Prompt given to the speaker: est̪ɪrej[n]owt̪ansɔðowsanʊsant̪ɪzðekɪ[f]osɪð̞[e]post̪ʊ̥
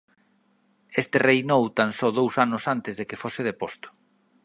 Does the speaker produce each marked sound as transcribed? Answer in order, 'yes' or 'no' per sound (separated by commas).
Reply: yes, yes, yes